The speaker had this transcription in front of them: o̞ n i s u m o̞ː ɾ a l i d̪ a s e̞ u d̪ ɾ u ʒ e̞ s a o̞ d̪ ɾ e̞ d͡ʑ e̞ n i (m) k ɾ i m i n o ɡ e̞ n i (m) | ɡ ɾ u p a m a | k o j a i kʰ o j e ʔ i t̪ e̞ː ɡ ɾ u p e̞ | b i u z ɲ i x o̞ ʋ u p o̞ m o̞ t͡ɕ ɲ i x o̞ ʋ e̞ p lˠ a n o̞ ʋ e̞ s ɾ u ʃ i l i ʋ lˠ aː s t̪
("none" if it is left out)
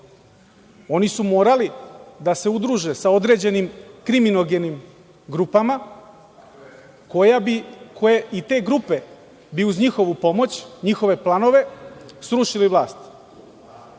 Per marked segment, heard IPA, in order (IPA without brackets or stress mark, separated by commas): m, m